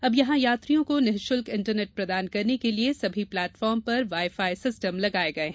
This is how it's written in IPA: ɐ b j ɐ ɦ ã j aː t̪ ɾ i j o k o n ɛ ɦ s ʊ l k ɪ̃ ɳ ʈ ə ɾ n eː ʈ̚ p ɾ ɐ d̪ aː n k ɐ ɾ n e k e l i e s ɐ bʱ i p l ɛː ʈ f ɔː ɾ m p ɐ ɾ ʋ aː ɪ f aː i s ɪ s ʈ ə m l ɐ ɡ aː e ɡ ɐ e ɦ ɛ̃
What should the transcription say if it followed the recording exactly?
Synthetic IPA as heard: ɐ b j ɐ ɦ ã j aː t̪ ɾ i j õ k o n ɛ ɦ ʃ ʊ l k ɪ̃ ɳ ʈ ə ɾ n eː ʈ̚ p ɾ ɐ d̪ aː n k ɐ ɾ n e k e l i e s ɐ bʱ i p l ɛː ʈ f ɔː ɾ m p ɐ ɾ ʋ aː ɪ f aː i s ɪ s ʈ ə m l ɐ ɡ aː e ɡ ɐ e ɦ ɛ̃